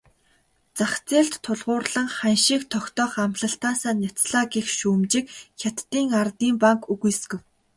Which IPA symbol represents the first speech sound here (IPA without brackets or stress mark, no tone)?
t͡s